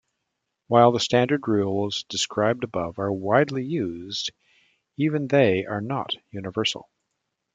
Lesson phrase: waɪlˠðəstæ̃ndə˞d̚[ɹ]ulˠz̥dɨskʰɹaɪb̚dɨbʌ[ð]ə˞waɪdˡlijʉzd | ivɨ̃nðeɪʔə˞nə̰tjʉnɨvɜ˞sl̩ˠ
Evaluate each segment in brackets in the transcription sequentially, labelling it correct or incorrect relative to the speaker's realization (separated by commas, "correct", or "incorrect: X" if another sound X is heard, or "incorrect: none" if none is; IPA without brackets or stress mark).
correct, incorrect: v